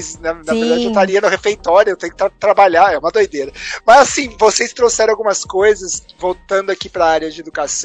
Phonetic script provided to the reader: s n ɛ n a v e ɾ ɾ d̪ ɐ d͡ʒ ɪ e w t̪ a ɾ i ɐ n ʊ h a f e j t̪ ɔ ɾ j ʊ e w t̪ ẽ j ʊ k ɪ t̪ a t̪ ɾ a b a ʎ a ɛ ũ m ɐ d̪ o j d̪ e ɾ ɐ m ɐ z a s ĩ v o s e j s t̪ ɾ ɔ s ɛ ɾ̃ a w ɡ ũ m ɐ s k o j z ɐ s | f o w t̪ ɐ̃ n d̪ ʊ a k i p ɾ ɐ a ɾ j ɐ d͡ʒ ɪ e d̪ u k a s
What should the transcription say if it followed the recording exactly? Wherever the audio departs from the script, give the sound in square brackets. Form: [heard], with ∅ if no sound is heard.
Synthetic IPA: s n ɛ n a v e ɾ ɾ d̪ [a] d͡ʒ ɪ e w t̪ a ɾ i ɐ n ʊ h [e] f e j t̪ ɔ ɾ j ʊ e w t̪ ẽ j ʊ k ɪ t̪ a t̪ ɾ a b a ʎ a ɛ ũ m ɐ d̪ o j d̪ e ɾ ɐ m ɐ z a s ĩ v o s e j s t̪ ɾ [o] s ɛ ɾ̃ a w ɡ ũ m ɐ s k o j z ɐ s | [v] o w t̪ ɐ̃ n d̪ ʊ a k i p ɾ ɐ a ɾ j ɐ d͡ʒ ɪ e d̪ u k a s